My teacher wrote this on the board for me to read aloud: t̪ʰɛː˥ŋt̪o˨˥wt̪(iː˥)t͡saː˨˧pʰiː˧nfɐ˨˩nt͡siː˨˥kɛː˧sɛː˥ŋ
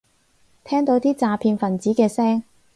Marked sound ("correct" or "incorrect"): correct